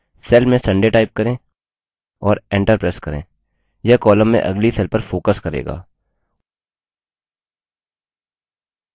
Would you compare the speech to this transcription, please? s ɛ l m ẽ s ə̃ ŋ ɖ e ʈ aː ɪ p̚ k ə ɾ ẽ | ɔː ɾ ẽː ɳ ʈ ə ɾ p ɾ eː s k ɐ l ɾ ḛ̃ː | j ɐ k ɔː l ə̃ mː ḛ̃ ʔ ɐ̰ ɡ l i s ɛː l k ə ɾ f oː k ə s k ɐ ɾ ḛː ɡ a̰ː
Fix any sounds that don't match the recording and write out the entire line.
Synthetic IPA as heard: s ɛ l m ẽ s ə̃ ɳ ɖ e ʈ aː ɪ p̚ k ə ɾ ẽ | ɔː ɾ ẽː ɳ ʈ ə ɾ p ɾ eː s k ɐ ɾ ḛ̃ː | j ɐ k ɔː l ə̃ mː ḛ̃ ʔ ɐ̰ ɡ l i s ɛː l p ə ɾ f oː k ə s k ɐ ɾ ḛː ɡ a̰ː